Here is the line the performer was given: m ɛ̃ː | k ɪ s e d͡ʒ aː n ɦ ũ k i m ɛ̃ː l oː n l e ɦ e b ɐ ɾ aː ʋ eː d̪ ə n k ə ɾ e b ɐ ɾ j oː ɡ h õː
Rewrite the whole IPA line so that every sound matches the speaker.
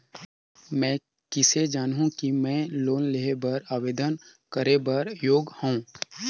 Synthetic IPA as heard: m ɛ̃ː | k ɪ s e d͡ʒ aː n ɦ ũ k i m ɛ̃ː l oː n l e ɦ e b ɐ ɾ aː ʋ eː d̪ ə n k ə ɾ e b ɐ ɾ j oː ɡ h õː